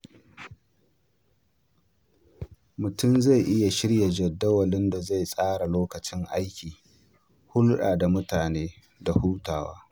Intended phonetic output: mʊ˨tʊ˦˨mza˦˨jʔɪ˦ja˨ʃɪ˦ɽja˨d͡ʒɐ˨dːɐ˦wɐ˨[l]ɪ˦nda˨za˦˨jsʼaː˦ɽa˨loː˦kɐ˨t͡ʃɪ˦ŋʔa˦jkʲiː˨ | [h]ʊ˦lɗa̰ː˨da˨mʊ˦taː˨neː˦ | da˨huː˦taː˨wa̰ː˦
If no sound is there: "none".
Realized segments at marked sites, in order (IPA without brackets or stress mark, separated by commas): l, h